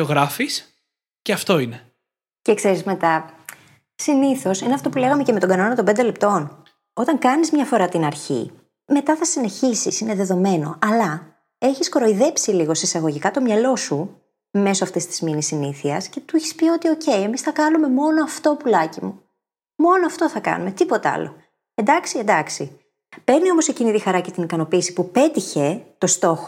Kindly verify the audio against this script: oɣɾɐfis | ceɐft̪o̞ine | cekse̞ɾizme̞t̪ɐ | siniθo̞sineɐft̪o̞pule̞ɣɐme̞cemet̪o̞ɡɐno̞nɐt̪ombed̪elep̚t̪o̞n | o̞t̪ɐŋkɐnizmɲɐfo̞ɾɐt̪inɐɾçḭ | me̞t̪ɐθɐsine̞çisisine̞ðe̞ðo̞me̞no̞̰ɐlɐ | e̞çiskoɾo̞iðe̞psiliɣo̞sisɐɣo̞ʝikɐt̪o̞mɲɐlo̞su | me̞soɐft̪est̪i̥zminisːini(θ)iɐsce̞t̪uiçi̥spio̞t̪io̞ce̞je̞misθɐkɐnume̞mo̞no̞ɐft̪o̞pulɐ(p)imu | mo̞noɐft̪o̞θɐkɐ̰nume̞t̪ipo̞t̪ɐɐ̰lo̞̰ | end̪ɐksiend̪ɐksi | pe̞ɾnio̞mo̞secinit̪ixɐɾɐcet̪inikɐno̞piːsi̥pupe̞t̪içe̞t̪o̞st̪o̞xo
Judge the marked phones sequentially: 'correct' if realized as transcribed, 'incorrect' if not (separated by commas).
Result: correct, incorrect